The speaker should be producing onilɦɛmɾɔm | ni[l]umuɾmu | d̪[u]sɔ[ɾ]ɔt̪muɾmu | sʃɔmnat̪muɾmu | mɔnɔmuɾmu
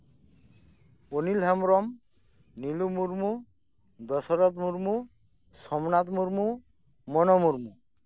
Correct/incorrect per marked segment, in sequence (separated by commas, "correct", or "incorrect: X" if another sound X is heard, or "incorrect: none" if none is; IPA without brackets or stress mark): correct, incorrect: ɔ, correct